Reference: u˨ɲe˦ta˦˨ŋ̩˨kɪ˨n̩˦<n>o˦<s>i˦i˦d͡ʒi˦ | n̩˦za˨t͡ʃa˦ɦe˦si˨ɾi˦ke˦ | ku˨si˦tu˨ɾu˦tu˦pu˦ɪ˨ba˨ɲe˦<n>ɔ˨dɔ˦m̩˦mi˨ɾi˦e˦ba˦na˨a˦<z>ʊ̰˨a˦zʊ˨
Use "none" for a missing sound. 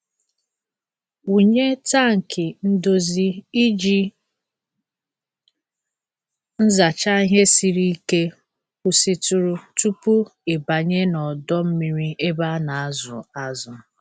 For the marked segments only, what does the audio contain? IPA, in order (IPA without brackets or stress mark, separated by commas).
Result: d, z, n, z